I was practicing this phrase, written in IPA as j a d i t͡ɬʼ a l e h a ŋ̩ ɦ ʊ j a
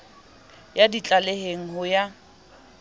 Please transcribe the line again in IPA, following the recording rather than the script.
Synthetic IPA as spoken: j a d i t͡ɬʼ a l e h e ŋ̩ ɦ ʊ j a